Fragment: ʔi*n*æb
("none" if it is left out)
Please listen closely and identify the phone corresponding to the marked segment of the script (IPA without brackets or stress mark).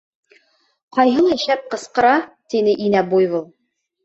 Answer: n